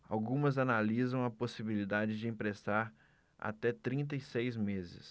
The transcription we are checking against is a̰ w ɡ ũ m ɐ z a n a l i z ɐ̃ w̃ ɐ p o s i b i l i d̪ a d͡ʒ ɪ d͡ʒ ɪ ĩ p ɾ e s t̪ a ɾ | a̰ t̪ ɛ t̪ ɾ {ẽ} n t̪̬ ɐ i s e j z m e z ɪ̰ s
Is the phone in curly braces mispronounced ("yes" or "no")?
yes